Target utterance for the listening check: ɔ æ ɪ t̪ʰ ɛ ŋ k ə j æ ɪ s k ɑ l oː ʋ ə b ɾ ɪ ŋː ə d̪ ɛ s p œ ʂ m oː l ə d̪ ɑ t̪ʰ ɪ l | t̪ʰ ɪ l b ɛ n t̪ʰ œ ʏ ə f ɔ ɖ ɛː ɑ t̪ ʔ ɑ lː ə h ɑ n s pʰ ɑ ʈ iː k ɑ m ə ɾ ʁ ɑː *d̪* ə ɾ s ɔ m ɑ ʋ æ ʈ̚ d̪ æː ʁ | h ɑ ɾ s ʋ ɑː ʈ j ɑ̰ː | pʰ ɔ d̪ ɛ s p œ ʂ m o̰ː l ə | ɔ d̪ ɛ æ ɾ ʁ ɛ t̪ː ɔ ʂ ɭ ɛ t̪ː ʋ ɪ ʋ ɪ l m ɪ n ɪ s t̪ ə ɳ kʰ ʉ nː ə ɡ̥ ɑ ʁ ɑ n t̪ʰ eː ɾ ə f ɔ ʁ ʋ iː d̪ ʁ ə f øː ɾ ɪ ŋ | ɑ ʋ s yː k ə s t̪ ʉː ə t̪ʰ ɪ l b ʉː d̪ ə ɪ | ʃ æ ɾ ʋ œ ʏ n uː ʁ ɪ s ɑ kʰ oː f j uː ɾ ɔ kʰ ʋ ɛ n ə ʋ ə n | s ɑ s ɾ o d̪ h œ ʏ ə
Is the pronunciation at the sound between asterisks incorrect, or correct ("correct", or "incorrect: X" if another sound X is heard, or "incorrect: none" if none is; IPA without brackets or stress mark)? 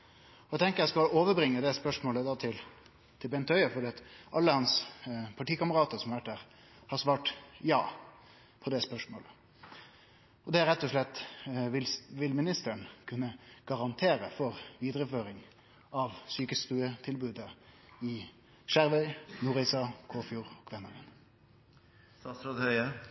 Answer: incorrect: t̪